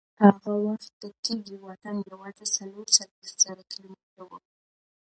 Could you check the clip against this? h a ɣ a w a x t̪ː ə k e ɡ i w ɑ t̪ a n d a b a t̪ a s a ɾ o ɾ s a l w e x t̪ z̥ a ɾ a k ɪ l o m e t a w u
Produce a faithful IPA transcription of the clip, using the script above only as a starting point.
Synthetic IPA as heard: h a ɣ a w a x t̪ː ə k e ɡ i w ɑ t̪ a n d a w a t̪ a s a l o ɾ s a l w e x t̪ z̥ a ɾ a k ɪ l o m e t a w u